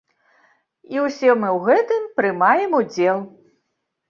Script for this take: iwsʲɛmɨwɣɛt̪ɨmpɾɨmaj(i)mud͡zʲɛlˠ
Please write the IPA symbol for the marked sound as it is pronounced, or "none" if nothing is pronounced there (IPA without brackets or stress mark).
ɛ